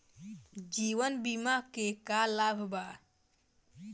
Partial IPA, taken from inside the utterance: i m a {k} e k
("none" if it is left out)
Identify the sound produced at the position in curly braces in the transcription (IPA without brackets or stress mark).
k